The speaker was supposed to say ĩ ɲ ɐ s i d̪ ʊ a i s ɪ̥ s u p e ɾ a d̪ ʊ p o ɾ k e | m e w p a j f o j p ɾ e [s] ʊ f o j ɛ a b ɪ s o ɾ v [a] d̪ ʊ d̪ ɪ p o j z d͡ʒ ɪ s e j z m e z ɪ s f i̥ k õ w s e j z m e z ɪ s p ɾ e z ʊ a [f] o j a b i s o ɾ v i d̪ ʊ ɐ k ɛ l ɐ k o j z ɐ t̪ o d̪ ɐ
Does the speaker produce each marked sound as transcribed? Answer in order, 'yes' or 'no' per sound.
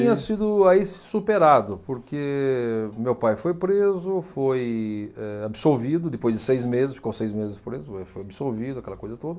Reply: no, no, yes

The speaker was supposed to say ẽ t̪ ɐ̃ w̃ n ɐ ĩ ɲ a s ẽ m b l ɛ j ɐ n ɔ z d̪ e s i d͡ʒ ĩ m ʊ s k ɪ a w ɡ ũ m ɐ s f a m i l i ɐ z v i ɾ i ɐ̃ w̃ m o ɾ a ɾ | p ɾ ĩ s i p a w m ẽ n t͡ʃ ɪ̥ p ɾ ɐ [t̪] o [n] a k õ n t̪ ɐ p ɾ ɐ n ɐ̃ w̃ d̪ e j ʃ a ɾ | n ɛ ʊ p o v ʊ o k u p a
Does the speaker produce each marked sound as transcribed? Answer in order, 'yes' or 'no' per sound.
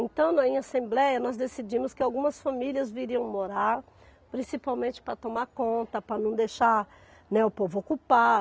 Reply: yes, no

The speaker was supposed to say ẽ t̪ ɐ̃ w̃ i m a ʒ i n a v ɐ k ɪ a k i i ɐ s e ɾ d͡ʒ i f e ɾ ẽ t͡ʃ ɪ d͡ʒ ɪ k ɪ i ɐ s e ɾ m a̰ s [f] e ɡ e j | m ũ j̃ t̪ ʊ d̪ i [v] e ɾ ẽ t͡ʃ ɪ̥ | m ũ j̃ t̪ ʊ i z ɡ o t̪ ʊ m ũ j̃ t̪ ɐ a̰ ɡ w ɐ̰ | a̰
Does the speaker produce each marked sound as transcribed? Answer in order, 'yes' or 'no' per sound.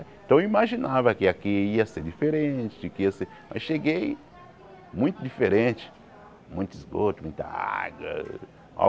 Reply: no, no

